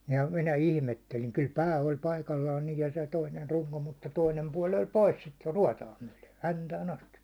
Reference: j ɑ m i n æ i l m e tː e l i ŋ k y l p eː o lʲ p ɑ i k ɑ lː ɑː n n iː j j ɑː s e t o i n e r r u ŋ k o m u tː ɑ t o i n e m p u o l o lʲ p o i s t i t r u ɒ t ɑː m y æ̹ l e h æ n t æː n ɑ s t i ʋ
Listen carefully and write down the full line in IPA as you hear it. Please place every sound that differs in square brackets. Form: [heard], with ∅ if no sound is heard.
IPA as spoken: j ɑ m i n æ i l m e tː e l i ŋ k y l p [æː] o lʲ p ɑ i k ɑ lː ɑː n n iː j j [ɑ] s e t o i n e r r u ŋ k o m u tː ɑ t o i n e m p u [ɒ] l o lʲ p o i s [s] i t r u ɒ t ɑː m y æ̹ l e h æ n t æː n ɑ s t i ʋ